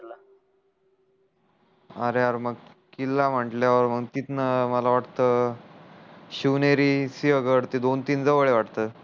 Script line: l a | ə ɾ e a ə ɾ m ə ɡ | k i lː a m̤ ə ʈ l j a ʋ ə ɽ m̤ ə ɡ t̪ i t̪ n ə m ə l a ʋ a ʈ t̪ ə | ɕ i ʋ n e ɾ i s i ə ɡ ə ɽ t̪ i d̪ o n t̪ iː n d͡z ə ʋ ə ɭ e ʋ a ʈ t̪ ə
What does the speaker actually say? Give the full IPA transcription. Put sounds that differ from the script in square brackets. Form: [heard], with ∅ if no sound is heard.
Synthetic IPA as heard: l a | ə ɾ e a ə ɾ m ə ɡ | k i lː a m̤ ə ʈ l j a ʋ ə [ɾ] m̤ ə ɡ t̪ i t̪ n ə m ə l a ʋ a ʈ t̪ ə | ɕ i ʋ n e ɾ i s i ə ɡ ə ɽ t̪ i d̪ o n t̪ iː n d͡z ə ʋ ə ɭ e ʋ a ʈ t̪ ə